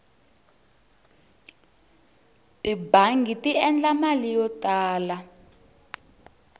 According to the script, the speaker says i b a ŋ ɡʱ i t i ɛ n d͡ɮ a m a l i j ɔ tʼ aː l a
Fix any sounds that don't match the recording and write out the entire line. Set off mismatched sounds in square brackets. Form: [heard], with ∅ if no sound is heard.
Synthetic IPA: i b a ŋ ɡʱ i t i ɛ n d͡ɮ a m a l i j ɔ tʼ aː l a